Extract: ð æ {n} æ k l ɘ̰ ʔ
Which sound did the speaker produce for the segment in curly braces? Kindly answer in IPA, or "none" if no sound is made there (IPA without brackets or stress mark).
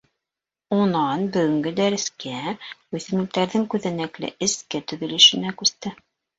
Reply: n